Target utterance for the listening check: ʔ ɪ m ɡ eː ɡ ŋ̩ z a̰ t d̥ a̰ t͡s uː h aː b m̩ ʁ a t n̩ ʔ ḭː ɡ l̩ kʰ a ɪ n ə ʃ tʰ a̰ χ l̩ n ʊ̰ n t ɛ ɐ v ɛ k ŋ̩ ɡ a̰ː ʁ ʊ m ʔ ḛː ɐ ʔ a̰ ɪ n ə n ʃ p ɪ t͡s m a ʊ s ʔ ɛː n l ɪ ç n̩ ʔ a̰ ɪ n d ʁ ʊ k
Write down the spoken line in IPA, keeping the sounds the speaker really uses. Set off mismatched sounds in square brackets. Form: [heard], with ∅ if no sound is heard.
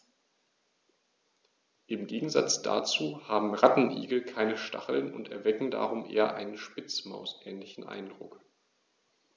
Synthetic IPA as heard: ʔ ɪ m ɡ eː ɡ ŋ̩ z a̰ [t͡s] d̥ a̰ t͡s uː h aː b m̩ ʁ a t n̩ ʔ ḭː ɡ l̩ kʰ a ɪ n ə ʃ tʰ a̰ χ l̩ n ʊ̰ n t ɛ ɐ v ɛ k ŋ̩ [d] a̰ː ʁ ʊ m ʔ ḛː ɐ ʔ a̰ ɪ n ə n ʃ p ɪ t͡s m a ʊ s ʔ ɛː n l ɪ ç n̩ ʔ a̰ ɪ n d ʁ ʊ k